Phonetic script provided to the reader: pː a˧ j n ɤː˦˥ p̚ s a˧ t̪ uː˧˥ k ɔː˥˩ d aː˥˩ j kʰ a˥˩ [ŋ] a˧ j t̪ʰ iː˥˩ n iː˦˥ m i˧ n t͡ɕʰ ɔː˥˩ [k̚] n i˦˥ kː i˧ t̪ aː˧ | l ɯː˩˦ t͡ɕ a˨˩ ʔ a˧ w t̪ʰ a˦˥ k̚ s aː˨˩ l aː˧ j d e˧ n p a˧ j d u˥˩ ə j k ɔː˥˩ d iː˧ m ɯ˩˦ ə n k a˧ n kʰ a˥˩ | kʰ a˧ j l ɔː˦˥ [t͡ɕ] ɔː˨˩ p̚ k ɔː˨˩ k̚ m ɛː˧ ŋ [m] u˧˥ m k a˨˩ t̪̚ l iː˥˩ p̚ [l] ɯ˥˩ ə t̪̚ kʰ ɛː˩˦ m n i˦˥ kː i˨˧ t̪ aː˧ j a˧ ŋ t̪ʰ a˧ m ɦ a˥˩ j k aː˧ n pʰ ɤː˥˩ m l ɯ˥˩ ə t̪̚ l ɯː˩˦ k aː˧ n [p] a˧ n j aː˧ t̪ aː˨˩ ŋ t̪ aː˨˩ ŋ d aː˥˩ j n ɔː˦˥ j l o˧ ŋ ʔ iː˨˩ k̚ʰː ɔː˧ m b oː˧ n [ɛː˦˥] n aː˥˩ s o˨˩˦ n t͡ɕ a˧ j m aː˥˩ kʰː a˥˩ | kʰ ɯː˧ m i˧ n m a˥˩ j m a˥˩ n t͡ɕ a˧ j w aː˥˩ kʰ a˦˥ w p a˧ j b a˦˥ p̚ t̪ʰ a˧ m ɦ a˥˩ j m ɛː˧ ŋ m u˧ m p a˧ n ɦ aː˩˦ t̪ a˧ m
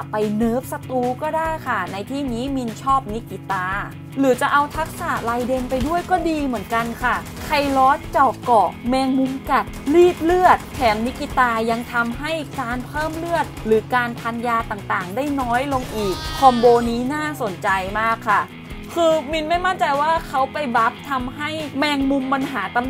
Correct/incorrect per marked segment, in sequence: incorrect: n, incorrect: p̚, correct, correct, correct, incorrect: pʰ, incorrect: iː˦˥

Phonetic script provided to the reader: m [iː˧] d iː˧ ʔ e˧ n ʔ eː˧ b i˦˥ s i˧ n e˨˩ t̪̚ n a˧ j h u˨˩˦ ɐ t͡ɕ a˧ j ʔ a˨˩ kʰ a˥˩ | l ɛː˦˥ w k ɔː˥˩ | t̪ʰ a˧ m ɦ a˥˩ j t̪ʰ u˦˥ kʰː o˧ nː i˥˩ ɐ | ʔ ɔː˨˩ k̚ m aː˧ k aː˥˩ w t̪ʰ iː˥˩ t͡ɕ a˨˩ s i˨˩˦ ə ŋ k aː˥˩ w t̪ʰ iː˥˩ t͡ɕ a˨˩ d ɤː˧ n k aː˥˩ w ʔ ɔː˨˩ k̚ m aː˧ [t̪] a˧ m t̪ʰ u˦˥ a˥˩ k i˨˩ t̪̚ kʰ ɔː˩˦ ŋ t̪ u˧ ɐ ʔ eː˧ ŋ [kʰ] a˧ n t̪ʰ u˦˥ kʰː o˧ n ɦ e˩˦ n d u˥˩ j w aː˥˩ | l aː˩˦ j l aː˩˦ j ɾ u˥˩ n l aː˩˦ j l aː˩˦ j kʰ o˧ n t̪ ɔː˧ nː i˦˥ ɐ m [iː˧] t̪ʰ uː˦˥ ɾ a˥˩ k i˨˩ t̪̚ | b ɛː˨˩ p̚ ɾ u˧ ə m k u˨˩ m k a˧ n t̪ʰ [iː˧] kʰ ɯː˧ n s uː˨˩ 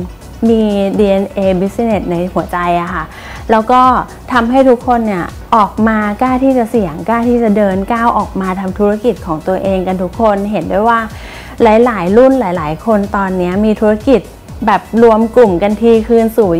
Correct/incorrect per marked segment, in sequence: correct, incorrect: t̪ʰ, incorrect: k, correct, correct

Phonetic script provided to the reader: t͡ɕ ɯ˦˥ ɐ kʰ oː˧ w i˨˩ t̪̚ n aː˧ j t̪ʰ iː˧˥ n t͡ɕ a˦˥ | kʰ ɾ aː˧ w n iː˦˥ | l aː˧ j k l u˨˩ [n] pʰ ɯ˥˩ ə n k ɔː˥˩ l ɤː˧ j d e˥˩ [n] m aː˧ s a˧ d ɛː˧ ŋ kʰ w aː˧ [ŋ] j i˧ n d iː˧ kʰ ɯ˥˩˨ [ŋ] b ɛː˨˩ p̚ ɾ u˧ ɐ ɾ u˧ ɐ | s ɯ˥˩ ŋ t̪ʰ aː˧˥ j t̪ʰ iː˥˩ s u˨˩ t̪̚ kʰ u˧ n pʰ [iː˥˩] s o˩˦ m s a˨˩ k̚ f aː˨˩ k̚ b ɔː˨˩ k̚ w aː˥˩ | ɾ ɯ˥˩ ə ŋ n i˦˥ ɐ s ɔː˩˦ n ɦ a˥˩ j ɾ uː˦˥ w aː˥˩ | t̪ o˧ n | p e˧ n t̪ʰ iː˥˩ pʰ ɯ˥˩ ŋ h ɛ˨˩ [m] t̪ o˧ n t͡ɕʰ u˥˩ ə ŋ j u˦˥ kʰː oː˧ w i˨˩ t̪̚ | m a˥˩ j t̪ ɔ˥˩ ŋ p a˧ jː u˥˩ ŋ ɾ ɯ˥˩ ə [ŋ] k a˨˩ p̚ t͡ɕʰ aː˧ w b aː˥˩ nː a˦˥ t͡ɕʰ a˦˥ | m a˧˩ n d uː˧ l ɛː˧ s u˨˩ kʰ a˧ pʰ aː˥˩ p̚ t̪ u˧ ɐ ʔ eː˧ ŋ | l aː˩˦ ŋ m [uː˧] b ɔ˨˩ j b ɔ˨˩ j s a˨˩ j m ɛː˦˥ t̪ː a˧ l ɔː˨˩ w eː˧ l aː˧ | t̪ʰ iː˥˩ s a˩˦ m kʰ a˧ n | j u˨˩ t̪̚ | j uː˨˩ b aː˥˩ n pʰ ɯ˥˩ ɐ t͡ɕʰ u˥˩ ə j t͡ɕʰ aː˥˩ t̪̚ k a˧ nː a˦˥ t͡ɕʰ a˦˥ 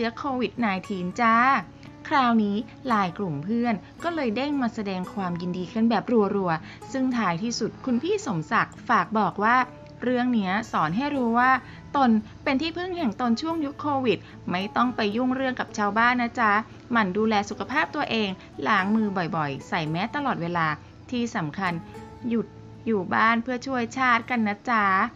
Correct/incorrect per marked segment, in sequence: incorrect: m, incorrect: ŋ, incorrect: m, incorrect: n, correct, incorrect: ŋ, correct, incorrect: ɯː˧

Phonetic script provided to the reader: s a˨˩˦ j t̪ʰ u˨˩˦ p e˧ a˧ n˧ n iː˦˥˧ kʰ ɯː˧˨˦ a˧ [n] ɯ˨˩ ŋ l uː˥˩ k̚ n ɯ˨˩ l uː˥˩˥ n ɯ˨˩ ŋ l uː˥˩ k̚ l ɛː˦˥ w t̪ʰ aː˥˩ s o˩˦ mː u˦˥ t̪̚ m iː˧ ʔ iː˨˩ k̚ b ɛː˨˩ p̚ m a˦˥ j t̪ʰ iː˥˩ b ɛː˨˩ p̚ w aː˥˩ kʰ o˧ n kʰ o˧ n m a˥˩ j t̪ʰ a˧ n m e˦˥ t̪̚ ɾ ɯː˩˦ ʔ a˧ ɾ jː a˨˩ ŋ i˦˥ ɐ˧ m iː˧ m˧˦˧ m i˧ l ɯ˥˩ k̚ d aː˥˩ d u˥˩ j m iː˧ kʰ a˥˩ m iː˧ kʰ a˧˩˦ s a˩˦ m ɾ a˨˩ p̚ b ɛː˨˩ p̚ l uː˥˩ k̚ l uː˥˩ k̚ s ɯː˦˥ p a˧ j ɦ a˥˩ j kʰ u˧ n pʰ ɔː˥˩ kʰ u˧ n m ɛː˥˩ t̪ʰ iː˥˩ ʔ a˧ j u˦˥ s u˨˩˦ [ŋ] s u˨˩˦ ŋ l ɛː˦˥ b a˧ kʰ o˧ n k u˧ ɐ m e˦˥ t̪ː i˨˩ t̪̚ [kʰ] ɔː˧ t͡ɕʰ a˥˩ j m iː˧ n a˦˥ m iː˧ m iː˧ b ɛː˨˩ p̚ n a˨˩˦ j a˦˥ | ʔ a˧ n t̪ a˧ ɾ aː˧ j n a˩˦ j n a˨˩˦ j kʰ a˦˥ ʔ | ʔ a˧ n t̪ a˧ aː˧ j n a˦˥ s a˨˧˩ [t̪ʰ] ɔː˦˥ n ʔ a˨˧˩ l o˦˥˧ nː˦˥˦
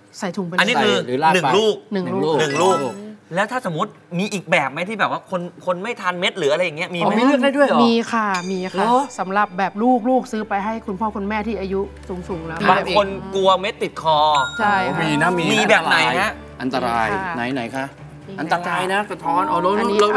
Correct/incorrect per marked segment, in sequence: correct, correct, correct, correct

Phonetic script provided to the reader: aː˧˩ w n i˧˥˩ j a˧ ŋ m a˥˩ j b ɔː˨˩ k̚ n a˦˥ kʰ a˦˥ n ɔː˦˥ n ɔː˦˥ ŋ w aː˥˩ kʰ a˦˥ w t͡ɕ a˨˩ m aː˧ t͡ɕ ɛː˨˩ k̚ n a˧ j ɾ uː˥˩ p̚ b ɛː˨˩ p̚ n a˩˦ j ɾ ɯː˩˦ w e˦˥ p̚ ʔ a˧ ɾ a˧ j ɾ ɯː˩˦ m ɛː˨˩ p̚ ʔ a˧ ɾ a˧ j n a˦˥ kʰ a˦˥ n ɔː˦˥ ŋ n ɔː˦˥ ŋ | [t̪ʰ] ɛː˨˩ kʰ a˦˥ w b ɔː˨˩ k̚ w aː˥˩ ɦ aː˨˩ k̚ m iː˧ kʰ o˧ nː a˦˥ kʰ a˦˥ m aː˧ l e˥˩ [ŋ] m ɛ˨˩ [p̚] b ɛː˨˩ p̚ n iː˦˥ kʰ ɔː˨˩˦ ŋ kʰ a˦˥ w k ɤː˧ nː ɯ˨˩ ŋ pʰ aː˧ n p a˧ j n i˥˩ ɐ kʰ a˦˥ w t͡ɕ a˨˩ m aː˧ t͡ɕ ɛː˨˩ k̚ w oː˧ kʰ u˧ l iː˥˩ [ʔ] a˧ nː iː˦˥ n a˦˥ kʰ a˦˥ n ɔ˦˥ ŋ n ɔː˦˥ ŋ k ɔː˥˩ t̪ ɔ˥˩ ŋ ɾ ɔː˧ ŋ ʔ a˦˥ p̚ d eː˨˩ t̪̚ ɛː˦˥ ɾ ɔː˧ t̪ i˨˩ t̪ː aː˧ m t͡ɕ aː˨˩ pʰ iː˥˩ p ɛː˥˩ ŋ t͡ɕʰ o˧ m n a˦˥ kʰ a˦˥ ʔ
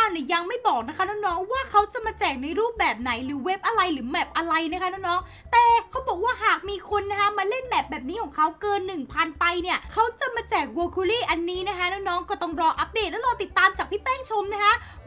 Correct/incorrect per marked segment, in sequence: incorrect: t̪, incorrect: n, correct, correct

